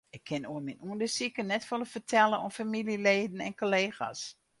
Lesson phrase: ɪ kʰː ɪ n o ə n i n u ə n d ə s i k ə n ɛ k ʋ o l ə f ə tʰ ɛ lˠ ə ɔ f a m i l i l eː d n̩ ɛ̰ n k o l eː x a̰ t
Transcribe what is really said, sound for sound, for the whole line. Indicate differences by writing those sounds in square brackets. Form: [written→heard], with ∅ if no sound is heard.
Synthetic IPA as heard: ɪ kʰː ɪ n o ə [n→m] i n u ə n d ə s i k ə n ɛ [k→t] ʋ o l ə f ə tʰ ɛ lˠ ə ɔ f a m i l i l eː d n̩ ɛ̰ n k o l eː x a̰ [t→s]